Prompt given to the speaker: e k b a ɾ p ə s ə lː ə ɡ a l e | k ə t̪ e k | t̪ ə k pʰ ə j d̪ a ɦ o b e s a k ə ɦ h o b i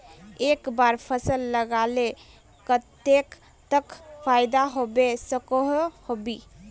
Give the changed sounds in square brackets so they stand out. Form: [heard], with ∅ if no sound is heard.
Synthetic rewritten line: e k b a ɾ [pʰ] ə s ə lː ə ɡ a l e | k ə t̪ e k | t̪ ə k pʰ [a] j d̪ a ɦ o b e s [ə] k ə ɦ h o b i